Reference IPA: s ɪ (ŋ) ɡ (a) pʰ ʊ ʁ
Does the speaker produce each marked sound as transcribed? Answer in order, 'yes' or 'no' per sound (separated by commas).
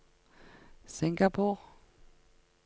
yes, yes